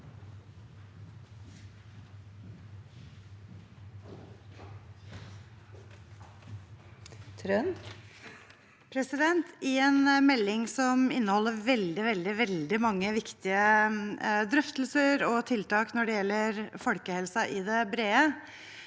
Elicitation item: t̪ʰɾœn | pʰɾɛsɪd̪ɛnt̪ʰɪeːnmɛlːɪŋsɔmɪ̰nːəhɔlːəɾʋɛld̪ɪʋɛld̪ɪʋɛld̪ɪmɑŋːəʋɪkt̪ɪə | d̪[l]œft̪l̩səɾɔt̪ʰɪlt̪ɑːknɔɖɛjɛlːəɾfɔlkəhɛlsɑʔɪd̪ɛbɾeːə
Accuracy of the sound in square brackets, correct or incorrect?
incorrect